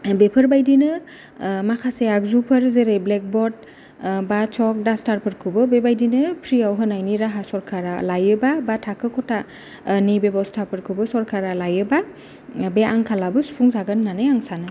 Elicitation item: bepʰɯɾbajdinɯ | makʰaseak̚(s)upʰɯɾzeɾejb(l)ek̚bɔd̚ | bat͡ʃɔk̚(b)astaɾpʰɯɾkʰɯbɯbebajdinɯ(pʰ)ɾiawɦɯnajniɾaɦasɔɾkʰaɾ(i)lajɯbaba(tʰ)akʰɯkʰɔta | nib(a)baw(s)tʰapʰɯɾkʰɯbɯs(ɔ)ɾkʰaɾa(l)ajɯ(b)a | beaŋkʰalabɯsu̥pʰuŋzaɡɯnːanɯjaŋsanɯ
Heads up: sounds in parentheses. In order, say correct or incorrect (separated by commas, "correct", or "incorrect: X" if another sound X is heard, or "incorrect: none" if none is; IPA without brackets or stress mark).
incorrect: z, correct, incorrect: d, correct, incorrect: a, correct, incorrect: e, correct, correct, correct, correct